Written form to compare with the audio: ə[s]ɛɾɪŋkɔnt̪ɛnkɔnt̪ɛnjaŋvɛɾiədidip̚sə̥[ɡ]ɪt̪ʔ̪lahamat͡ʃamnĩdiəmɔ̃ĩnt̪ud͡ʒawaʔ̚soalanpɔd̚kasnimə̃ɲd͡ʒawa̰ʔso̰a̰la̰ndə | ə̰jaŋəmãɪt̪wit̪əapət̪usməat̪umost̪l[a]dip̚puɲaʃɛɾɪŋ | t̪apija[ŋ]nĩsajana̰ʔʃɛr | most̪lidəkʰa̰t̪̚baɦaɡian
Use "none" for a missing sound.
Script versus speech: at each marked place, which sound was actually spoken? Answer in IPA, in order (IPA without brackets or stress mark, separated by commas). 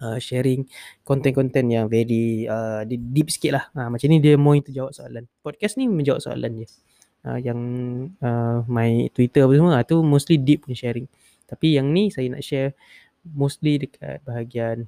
ʃ, k, i, ŋ